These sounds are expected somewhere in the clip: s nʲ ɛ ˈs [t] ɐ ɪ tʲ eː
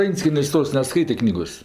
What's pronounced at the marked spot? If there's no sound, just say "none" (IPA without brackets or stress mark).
k